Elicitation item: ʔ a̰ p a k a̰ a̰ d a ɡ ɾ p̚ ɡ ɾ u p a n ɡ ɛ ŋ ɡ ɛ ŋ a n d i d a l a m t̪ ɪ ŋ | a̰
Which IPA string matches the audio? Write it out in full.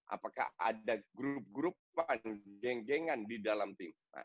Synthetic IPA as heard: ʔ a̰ p a k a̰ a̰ d a ɡ ɾ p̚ ɡ ɾ u p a n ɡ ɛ ŋ ɡ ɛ ŋ a n d i d a l a m t̪ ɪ m | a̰